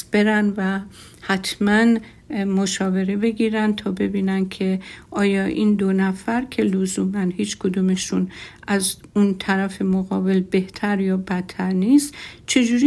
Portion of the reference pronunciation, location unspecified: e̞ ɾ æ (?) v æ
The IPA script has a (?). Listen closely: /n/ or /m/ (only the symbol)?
n